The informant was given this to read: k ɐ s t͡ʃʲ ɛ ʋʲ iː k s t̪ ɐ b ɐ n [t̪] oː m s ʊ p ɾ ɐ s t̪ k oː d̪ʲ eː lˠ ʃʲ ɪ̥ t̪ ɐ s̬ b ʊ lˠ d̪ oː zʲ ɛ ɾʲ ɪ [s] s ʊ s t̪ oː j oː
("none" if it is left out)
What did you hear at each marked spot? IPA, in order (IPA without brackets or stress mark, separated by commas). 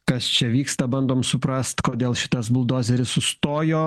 d̪, s